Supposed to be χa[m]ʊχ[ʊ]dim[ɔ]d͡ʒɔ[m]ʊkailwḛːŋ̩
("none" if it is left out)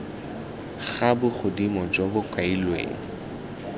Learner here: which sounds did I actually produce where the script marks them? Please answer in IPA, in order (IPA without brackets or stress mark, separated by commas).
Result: b, ʊ, ɔ, b